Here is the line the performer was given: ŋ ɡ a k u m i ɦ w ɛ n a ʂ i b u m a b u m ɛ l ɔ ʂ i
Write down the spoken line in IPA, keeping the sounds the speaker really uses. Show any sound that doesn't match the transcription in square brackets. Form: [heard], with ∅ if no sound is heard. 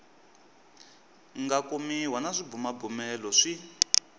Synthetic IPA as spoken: ŋ ɡ a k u m i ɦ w [a] n a ʂ i b u m a b u m ɛ l ɔ ʂ i